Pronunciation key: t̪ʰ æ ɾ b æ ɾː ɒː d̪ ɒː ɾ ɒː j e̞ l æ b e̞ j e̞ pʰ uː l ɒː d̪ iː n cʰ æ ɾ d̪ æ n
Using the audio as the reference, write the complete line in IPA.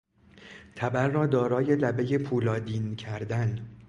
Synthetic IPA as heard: t̪ʰ æ b æ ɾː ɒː d̪ ɒː ɾ ɒː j e̞ l æ b e̞ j e̞ pʰ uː l ɒː d̪ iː n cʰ æ ɾ d̪ æ n